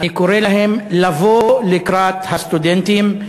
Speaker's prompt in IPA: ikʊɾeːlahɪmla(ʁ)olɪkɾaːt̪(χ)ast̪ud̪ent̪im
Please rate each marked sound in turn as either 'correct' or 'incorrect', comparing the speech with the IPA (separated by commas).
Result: incorrect, incorrect